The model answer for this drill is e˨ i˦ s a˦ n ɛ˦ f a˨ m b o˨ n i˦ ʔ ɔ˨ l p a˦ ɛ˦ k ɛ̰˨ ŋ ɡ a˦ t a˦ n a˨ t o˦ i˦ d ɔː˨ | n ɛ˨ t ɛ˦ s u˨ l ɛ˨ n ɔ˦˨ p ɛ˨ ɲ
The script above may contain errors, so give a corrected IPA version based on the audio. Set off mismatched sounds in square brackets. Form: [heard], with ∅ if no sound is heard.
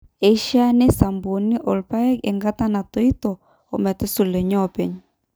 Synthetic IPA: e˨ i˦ [ʃ] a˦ n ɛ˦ [s] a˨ m b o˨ n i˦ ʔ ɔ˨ l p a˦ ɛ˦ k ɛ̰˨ ŋ ɡ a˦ t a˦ n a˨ t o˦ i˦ [t] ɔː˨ | [m] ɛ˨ t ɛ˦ s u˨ l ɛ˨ [ɲ] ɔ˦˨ p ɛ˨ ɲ